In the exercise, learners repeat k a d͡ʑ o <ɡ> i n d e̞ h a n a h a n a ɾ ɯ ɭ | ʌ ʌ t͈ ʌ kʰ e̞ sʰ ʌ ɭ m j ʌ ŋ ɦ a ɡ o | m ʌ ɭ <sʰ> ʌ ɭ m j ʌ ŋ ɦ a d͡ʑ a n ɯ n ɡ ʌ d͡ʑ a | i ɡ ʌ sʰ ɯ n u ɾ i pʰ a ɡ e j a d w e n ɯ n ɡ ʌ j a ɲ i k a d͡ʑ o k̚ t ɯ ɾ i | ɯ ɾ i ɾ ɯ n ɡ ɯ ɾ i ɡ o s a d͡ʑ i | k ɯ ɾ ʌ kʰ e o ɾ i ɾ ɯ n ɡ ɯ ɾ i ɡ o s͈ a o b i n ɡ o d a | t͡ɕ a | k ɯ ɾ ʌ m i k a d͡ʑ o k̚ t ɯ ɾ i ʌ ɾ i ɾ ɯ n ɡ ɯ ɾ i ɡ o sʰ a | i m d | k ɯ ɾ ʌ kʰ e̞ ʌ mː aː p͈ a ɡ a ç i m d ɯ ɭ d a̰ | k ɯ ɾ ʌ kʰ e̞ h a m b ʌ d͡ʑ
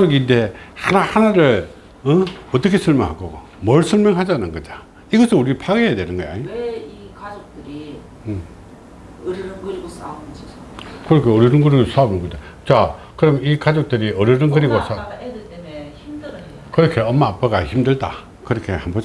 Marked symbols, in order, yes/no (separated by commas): yes, yes